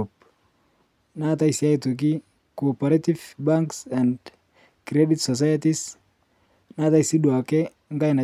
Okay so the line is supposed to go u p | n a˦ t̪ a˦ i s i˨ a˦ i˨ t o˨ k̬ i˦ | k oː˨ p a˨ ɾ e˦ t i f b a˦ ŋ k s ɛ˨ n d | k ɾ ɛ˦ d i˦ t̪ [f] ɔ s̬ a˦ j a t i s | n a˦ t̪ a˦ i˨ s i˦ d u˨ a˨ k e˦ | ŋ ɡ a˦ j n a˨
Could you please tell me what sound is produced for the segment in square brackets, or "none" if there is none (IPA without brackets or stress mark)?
s